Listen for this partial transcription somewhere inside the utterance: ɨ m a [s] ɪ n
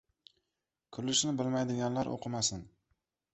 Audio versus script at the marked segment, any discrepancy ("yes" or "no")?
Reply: no